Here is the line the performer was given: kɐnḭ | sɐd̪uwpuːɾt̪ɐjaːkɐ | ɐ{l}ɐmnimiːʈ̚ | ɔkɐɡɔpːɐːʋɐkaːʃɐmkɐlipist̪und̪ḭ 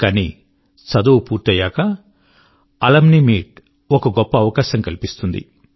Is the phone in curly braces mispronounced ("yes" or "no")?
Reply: no